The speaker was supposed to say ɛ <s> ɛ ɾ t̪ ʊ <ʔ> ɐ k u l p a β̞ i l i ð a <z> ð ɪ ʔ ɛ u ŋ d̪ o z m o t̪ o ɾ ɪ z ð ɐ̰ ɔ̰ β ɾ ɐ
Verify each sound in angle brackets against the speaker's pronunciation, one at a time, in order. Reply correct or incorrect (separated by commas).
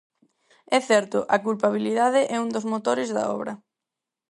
incorrect, correct, incorrect